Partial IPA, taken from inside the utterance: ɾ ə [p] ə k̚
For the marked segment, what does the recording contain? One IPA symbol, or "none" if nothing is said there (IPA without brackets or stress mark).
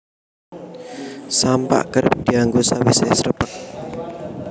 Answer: p